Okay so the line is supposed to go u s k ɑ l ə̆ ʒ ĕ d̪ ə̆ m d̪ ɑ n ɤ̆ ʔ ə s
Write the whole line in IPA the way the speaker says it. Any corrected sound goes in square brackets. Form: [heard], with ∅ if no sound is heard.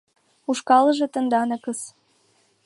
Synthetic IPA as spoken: u [ʃ] k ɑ l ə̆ ʒ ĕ [t̪] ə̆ [n] d̪ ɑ n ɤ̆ [k] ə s